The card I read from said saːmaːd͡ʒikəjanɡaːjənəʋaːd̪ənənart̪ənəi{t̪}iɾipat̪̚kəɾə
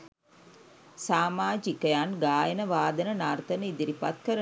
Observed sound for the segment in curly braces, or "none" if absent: d̪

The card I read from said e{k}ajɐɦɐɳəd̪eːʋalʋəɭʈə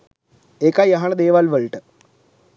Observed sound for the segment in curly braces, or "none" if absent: k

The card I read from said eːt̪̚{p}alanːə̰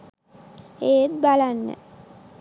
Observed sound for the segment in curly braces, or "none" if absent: b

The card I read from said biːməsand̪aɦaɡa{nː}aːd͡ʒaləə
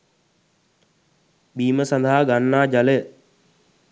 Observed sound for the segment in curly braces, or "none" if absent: nː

